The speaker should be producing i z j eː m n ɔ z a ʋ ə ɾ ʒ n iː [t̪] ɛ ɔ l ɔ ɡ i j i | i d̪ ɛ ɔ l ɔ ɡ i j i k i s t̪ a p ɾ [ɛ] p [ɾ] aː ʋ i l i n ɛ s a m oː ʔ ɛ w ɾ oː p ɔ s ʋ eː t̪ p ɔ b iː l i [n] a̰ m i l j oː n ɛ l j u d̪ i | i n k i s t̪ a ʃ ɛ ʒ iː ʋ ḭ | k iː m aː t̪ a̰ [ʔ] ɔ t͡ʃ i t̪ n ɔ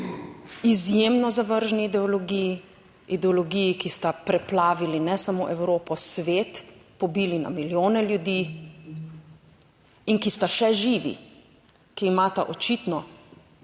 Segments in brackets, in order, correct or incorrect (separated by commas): incorrect, correct, incorrect, correct, correct